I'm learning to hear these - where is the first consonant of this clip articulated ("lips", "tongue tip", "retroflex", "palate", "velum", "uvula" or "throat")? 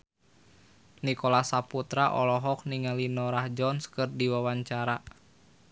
tongue tip